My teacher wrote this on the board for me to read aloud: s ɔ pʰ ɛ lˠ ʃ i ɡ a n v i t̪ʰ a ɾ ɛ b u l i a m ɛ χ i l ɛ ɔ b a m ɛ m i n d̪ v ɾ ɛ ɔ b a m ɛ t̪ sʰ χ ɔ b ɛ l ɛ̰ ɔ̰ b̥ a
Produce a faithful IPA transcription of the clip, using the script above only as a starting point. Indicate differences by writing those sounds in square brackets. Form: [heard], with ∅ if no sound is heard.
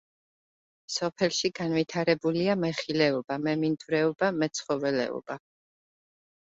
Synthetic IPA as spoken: s ɔ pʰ ɛ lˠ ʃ i ɡ a n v i t̪ʰ a ɾ ɛ b u l i a m ɛ χ i l ɛ ɔ b a m ɛ m i n d̪ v ɾ ɛ ɔ b a m ɛ t̪ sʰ χ ɔ [v] ɛ l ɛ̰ ɔ̰ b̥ a